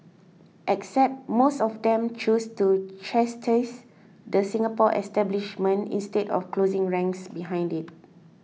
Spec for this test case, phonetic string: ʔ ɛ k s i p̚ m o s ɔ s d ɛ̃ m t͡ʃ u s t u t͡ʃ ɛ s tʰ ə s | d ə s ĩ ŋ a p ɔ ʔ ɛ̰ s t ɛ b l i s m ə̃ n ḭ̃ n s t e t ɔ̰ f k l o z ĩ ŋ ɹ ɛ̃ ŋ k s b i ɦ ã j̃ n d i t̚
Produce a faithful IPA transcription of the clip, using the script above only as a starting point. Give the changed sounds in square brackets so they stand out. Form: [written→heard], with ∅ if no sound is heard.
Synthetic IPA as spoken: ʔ ɛ k s [i→ɛ] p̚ m o s ɔ [s→f] d ɛ̃ m t͡ʃ u s t u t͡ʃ ɛ s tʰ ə s | d ə s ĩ ŋ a p ɔ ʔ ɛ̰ s t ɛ b l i [s→ʃ] m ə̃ n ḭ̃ n s t e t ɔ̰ f k l o z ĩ ŋ ɹ ɛ̃ ŋ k s b i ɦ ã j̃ n d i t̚

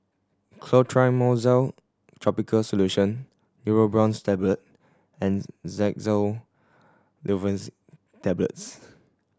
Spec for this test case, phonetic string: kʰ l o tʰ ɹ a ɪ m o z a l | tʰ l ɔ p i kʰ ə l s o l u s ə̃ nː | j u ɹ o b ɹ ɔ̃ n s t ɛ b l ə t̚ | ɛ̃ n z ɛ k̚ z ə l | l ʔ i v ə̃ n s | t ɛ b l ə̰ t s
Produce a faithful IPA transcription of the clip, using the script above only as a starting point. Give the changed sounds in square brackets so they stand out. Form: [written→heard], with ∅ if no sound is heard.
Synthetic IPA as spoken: kʰ l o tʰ ɹ a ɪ m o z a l | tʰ [l→ɹ] ɔ p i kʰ ə l s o l u [s→ʃ] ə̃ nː | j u ɹ o b ɹ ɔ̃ n s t ɛ b l ə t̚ | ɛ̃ n z ɛ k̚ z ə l | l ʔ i v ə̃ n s | t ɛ b l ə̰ t s

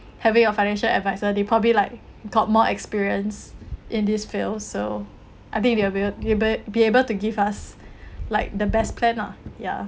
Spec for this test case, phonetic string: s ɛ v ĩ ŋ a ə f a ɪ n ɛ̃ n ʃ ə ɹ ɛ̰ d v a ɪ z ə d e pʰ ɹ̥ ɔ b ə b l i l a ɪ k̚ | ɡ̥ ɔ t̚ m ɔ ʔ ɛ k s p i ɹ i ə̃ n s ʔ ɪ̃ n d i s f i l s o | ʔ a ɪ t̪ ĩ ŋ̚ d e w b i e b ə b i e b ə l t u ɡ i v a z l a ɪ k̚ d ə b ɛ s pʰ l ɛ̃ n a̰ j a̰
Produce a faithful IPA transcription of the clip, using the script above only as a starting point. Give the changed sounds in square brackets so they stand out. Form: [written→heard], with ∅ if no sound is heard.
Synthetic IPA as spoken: [s→h] ɛ v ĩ ŋ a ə f a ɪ n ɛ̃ n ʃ ə [ɹ→l] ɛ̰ d v a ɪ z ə d e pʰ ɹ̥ ɔ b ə b l i l a ɪ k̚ | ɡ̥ ɔ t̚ m ɔ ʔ ɛ k s p i ɹ i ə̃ n s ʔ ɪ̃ n d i s f i l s o | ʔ a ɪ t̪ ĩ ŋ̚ d e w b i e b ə b i e b ə l t u ɡ i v a [z→s] l a ɪ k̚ d ə b ɛ s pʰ l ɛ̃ n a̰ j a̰

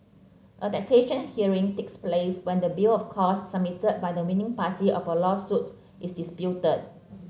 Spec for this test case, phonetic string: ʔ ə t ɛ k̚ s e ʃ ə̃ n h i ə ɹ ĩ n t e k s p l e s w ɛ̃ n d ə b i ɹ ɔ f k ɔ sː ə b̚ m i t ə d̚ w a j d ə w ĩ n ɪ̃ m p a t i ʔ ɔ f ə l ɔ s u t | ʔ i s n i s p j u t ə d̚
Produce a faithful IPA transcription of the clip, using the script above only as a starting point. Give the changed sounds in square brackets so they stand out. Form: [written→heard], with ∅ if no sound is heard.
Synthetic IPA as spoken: ʔ ə t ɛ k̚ s e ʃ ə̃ n h i ə ɹ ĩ [n→ŋ] t e k s p l e s w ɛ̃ n d ə b i [ɹ→l] ɔ f [k→kʰ] ɔ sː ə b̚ m i t ə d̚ [w→b] a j d ə w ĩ n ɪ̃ [m→ŋ] p a t i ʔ ɔ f ə l ɔ s u t | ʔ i s [n→d] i s p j u t ə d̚

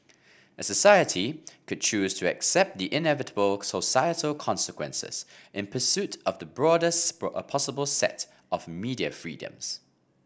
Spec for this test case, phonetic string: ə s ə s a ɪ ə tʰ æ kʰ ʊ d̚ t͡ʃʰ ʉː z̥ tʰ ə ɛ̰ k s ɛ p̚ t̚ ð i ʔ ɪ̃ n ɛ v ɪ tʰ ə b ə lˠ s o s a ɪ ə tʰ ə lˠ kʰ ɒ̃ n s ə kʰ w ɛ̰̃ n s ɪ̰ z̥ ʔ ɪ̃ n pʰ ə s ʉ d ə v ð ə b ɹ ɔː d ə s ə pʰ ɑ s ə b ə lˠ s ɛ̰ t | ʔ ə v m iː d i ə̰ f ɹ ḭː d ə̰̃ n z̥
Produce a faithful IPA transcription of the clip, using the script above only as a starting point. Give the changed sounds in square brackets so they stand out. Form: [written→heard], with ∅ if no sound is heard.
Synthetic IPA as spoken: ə s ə s a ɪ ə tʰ [æ→i] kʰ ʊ d̚ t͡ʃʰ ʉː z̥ tʰ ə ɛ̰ k s ɛ p̚ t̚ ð i ʔ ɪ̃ n ɛ v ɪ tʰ ə b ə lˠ s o s a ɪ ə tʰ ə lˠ kʰ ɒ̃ n s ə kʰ w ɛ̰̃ n s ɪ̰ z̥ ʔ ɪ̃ n pʰ ə s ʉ [d→t] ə v ð ə b ɹ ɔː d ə s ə pʰ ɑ s ə b ə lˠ s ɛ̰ t | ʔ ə v m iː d i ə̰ f ɹ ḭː d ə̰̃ [n→m] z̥

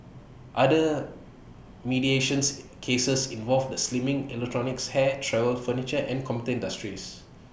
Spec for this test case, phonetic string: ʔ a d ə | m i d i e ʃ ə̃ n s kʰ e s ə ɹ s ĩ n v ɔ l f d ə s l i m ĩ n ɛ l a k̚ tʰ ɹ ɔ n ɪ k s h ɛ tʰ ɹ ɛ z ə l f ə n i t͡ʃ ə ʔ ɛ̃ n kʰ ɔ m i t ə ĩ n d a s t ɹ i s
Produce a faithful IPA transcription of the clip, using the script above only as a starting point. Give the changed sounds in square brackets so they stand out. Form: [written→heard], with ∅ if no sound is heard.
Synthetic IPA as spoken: ʔ a d ə | m i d i e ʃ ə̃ n s kʰ e s ə [ɹ→∅] s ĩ n v ɔ l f d ə s l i m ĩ [n→ŋ] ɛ l [a→ɛ] k̚ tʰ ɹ ɔ n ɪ k s h ɛ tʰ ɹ ɛ [z→v] ə l f ə n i t͡ʃ ə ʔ ɛ̃ n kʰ ɔ m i t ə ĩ n d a s t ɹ i s

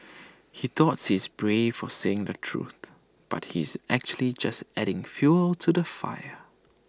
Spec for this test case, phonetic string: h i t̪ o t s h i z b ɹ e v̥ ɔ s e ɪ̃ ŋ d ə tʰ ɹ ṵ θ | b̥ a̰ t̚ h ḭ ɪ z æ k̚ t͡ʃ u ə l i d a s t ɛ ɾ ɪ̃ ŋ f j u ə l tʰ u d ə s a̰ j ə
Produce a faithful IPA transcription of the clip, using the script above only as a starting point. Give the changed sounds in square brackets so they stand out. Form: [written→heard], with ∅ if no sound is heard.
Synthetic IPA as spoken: h i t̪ [o→ɔ] t s h i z b ɹ e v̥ ɔ s e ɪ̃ ŋ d ə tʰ ɹ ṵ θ | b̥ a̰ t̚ h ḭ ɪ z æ k̚ t͡ʃ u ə l i [d→d͡ʒ] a s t ɛ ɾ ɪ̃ ŋ f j u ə l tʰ u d ə [s→f] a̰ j ə

